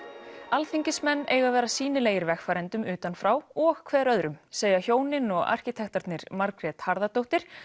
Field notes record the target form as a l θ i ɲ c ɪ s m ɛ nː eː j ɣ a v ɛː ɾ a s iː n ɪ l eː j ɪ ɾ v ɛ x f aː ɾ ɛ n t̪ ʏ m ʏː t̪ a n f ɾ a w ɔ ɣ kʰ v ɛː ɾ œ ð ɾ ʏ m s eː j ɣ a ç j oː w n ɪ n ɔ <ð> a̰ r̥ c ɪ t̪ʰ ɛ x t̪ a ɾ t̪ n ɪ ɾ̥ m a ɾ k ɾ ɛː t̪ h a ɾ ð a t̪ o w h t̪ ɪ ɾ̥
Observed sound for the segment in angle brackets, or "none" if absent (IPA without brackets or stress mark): ɣ